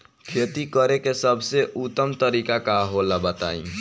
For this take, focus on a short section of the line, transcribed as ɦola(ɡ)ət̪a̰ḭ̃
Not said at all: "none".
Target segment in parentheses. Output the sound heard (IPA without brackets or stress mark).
b